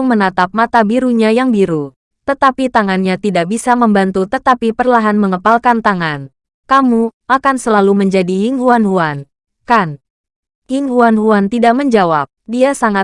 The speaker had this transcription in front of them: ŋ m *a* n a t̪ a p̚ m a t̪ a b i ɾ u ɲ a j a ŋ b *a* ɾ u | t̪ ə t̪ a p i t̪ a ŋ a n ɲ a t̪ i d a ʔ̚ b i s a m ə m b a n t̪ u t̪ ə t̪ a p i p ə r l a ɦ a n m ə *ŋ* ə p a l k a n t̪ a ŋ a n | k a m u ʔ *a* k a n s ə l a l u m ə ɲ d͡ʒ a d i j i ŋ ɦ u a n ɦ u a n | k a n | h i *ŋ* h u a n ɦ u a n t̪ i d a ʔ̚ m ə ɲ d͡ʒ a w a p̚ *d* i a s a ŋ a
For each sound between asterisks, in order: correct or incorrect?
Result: incorrect, incorrect, correct, correct, correct, correct

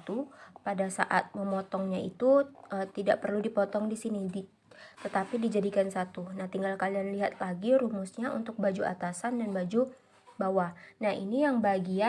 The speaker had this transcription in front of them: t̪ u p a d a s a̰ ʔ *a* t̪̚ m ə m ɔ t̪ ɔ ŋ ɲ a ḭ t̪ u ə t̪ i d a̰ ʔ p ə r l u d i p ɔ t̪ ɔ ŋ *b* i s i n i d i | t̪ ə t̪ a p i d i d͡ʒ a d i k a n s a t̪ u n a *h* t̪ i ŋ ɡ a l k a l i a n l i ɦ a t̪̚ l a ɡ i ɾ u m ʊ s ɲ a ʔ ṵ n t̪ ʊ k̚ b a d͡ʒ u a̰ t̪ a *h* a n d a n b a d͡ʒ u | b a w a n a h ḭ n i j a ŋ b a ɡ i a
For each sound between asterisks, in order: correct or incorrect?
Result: correct, incorrect, correct, incorrect

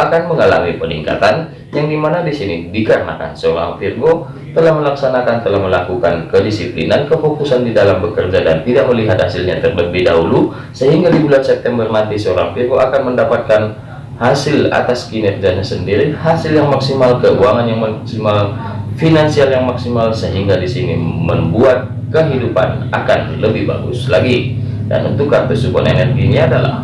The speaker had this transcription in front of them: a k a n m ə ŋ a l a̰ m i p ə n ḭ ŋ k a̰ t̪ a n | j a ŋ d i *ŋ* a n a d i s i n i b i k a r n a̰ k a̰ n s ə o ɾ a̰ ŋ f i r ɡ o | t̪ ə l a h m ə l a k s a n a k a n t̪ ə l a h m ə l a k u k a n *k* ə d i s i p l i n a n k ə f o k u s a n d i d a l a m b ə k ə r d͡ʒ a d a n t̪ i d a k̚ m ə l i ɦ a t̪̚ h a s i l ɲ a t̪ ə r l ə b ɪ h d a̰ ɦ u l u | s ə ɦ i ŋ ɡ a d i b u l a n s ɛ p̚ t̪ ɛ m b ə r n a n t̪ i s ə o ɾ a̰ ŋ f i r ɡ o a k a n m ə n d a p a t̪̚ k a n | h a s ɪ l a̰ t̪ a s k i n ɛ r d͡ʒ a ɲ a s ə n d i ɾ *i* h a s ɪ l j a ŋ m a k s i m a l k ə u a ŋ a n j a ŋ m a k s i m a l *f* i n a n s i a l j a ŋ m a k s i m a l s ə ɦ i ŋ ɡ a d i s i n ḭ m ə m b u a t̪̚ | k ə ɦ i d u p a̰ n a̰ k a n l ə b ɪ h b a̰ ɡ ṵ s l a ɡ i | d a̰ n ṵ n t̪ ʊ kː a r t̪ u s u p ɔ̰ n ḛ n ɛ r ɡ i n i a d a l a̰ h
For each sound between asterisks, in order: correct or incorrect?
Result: incorrect, correct, correct, correct

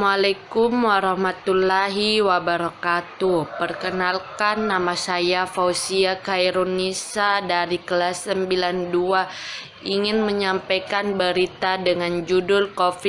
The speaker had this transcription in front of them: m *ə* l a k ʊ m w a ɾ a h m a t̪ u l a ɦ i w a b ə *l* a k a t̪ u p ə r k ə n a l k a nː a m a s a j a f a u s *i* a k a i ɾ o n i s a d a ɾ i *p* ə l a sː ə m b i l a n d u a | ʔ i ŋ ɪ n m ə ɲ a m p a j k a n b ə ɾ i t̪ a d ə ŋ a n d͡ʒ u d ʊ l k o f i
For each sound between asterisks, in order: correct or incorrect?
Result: incorrect, incorrect, correct, incorrect

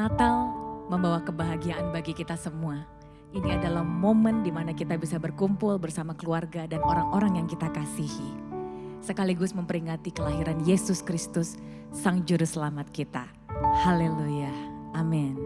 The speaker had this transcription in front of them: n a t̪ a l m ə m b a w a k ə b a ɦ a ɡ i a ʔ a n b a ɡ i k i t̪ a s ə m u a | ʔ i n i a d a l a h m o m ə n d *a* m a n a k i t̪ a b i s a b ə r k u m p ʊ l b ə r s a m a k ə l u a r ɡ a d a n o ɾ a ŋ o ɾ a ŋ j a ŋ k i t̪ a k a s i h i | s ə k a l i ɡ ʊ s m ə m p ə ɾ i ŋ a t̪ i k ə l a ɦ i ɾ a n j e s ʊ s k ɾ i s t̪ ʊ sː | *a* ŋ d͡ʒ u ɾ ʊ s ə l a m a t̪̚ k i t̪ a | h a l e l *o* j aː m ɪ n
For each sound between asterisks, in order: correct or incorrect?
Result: incorrect, correct, incorrect

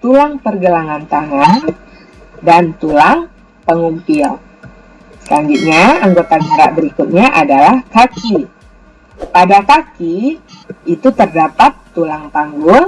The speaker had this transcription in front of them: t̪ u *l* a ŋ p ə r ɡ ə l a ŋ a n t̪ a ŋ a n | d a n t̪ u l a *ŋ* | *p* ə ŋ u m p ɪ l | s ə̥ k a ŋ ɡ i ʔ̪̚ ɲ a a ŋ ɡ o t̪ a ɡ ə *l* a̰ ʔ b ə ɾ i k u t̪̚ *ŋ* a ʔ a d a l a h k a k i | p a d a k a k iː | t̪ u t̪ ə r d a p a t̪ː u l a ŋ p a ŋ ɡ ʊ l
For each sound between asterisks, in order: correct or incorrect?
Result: correct, correct, correct, incorrect, incorrect

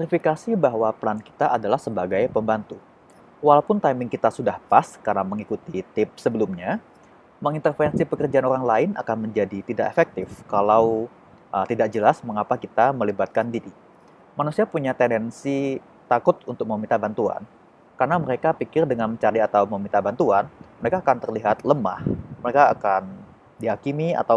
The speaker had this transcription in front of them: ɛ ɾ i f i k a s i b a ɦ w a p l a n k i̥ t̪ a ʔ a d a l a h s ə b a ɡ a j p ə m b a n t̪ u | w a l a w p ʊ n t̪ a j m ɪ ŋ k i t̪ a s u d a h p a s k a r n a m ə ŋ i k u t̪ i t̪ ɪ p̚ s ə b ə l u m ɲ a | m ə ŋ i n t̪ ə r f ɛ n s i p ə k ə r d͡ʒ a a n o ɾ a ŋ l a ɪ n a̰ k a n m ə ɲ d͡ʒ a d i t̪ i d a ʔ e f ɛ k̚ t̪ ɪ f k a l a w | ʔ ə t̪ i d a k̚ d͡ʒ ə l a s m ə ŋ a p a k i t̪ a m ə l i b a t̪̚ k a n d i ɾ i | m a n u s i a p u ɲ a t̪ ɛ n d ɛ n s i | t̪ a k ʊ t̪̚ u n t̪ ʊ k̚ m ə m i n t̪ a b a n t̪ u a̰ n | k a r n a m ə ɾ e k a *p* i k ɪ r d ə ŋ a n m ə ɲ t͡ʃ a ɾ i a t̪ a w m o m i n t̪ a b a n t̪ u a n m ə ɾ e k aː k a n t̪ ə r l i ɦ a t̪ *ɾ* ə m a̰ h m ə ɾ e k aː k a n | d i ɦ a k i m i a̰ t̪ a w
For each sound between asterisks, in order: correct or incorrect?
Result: correct, incorrect

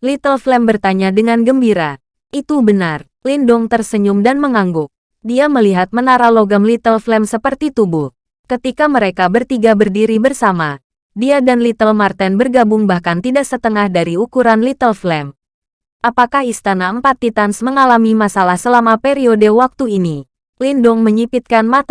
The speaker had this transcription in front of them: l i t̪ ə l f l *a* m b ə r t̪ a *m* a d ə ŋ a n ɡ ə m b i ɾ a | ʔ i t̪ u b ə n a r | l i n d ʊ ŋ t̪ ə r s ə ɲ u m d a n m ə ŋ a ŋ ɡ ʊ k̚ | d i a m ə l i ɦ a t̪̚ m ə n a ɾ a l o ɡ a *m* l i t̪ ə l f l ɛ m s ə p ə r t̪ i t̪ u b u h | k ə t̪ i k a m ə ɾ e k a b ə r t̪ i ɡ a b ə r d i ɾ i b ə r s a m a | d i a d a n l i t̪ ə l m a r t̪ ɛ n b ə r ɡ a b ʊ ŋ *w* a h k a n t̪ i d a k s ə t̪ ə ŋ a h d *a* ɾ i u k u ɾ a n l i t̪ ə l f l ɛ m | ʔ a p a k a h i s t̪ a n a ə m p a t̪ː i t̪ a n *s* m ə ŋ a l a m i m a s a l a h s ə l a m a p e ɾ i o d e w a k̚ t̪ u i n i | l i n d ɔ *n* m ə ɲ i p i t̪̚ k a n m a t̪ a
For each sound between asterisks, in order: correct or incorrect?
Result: incorrect, incorrect, correct, incorrect, correct, correct, incorrect

